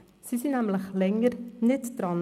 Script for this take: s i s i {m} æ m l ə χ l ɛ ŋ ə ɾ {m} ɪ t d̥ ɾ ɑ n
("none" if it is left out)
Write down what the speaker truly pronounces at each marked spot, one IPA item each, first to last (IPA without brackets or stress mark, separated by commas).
n, n